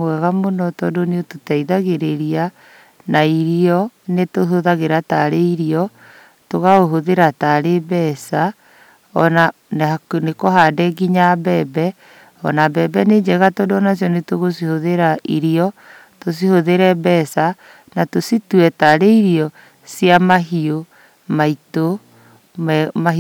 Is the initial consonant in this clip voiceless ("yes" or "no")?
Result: no